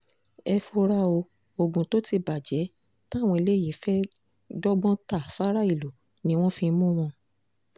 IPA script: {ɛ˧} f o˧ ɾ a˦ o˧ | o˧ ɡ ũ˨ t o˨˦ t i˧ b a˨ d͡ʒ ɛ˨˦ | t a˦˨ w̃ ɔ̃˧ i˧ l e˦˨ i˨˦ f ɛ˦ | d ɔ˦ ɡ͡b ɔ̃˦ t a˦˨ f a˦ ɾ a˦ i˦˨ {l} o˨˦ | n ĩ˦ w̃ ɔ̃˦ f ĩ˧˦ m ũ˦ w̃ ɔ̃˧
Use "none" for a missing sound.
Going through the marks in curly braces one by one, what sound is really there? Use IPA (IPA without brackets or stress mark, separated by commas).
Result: ɛ˧, l